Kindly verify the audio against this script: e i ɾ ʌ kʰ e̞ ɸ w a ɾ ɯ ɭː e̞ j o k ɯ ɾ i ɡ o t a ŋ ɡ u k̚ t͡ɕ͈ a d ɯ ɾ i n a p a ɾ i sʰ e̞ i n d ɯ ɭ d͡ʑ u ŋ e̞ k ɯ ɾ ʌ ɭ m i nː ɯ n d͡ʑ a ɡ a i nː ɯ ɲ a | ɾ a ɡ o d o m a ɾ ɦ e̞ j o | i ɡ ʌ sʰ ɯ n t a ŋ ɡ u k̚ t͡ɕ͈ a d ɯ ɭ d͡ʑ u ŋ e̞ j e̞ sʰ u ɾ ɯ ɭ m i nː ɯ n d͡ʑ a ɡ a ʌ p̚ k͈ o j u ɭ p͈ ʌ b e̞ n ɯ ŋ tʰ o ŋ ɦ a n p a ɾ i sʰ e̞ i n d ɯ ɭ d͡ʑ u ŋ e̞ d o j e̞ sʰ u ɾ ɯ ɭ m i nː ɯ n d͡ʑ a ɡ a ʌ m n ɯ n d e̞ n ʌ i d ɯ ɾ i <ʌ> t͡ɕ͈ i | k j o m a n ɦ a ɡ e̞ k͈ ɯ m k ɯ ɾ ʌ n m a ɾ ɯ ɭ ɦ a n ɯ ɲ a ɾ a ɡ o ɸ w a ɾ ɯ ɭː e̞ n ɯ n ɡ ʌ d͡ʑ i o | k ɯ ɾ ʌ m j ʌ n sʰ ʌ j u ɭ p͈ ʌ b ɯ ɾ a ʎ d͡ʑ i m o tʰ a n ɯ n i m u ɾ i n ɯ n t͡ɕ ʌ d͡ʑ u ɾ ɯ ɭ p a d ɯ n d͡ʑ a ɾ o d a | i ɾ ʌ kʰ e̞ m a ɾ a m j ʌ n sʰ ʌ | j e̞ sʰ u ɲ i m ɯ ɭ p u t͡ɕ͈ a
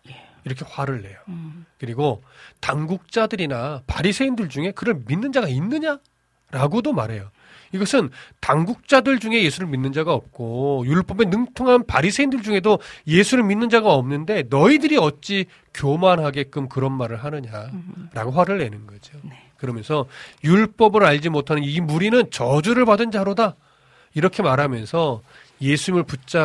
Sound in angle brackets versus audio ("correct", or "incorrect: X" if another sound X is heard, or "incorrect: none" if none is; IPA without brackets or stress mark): correct